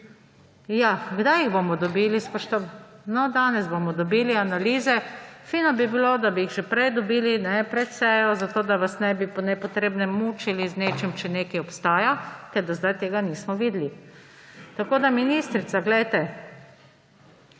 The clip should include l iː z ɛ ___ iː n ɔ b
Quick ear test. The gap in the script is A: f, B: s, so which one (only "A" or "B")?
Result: A